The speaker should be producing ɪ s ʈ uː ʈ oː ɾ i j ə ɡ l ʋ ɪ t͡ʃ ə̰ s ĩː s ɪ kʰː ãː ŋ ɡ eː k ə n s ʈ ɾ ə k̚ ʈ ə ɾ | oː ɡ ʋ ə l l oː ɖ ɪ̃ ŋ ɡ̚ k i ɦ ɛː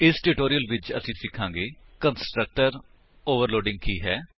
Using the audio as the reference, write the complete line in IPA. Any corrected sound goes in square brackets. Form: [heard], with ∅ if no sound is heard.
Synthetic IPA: ɪ s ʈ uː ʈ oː ɾ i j ə [∅] l ʋ ɪ t͡ʃ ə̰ s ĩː s ɪ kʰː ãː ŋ ɡ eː k ə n s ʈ ɾ ə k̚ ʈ ə ɾ | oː [∅] ʋ ə [ɾ] l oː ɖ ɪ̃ ŋ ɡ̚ k [iː] ɦ ɛː